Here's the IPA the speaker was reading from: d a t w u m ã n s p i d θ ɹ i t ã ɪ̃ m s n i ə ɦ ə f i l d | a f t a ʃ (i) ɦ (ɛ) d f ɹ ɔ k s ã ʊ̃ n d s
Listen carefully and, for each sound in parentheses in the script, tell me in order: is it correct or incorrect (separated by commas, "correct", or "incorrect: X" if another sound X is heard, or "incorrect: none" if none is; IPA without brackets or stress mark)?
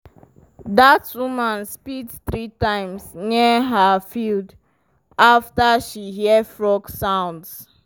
correct, incorrect: i